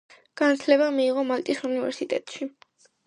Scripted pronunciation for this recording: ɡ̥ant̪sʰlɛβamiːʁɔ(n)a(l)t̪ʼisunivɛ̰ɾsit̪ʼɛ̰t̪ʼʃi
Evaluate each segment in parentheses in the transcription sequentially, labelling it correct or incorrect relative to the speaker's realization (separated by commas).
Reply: incorrect, correct